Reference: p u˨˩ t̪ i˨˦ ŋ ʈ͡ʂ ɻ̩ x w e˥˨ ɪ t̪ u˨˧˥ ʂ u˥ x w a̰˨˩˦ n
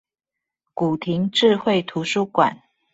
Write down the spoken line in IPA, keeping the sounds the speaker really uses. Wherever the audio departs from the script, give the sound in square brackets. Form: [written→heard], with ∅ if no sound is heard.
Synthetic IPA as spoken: [p→k] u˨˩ [t̪→t̪ʰ] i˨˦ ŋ ʈ͡ʂ ɻ̩ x w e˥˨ ɪ [t̪→t̪ʰ] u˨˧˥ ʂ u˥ [x→k] w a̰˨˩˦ n